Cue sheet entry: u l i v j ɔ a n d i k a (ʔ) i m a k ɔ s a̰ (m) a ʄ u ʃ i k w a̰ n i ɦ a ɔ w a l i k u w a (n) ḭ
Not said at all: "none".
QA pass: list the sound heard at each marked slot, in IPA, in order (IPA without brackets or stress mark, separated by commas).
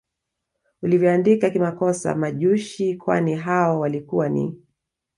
k, m, n